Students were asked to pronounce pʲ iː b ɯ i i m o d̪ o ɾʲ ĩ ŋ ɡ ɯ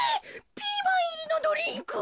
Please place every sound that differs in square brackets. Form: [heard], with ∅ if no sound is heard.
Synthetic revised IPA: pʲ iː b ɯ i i [n] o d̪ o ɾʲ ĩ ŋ [k] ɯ